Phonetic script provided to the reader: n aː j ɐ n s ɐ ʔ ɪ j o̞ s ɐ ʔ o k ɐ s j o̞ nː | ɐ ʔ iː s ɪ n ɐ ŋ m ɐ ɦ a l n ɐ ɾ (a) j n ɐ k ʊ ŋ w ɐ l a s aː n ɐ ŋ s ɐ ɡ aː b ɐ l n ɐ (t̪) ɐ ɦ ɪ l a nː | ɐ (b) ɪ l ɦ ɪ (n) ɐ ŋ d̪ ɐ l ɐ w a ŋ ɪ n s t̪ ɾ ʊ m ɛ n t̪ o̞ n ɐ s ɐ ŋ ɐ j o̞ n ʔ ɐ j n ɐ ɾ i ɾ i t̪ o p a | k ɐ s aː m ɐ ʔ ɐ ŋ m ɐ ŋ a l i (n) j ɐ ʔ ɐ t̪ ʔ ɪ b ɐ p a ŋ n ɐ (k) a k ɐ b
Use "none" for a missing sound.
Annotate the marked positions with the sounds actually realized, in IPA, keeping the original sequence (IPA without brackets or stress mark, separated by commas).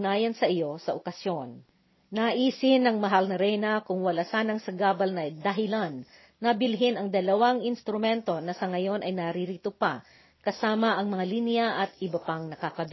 ɛ, d̪, b, n, n, k